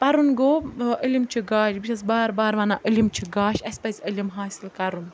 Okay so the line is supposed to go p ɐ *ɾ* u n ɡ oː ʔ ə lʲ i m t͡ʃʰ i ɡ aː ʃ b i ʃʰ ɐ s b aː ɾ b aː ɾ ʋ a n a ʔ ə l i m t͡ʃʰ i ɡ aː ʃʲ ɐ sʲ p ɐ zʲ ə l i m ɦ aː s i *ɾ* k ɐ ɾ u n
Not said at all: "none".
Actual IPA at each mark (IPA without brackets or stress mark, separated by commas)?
ɾ, l